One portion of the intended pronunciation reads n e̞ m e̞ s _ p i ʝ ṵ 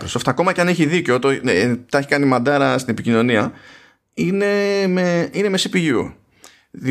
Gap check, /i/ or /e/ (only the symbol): i